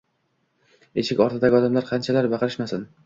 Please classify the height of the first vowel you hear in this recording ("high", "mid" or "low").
mid